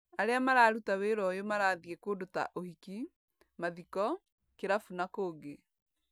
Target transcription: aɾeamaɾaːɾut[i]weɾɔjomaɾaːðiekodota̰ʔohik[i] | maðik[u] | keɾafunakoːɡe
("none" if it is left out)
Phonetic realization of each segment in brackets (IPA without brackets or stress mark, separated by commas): a, i, ɔ